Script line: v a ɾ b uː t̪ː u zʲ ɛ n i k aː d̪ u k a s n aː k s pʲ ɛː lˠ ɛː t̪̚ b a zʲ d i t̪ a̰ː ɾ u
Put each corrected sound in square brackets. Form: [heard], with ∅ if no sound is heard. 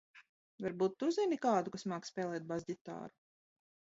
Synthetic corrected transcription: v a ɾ b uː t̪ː u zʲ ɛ n i k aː d̪ u k a s [m] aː k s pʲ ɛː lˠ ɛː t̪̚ b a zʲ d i t̪ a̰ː ɾ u